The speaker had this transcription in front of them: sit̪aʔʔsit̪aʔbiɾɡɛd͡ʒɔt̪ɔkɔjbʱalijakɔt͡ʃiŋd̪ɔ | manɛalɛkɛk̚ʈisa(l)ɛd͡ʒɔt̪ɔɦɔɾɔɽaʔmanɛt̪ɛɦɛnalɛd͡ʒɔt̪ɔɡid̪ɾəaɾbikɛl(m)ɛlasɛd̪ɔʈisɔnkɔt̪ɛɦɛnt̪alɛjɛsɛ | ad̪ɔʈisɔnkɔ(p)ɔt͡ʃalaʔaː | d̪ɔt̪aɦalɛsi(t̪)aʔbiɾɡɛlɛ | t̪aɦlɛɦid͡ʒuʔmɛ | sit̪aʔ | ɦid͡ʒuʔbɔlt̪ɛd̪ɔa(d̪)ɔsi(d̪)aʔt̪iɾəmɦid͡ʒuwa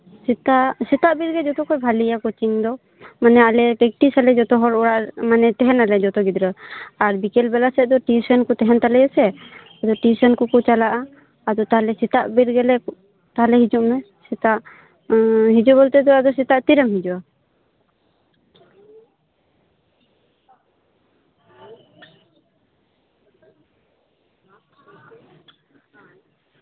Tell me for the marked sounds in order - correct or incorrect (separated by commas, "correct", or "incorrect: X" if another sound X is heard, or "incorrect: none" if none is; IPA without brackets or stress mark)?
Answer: correct, incorrect: b, incorrect: k, correct, correct, incorrect: t̪